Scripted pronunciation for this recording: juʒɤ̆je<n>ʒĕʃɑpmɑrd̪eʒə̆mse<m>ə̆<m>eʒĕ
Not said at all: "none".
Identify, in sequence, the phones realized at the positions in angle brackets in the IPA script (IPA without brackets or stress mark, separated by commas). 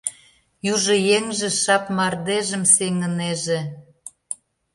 ŋ, ŋ, n